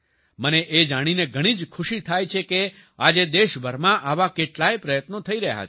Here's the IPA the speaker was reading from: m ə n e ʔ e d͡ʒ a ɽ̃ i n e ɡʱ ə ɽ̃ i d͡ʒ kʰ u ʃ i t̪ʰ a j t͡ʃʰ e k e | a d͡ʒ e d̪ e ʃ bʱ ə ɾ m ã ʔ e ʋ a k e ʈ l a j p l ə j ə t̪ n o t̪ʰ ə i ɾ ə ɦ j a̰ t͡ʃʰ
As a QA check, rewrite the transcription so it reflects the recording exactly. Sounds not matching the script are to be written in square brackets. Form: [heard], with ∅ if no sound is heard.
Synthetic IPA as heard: m ə n e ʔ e d͡ʒ a ɽ̃ i n e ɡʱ ə ɽ̃ i d͡ʒ kʰ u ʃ i t̪ʰ a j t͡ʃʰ e k e | a d͡ʒ e d̪ e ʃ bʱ ə ɾ m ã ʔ [a] ʋ a k e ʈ l a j p [ɾ] ə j ə t̪ n o t̪ʰ ə i ɾ ə ɦ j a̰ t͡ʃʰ